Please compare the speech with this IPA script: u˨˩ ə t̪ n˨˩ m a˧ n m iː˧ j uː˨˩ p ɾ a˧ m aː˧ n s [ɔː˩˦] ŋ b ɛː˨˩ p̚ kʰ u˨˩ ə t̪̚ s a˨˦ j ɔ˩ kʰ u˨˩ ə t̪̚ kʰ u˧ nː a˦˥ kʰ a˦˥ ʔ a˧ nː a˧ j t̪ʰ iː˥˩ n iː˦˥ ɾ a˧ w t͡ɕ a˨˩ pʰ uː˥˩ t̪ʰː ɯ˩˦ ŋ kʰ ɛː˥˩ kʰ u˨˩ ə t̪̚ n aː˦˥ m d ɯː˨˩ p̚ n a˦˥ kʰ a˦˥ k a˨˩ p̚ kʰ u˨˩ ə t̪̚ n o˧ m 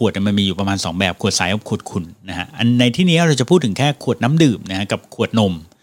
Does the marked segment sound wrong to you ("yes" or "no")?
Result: no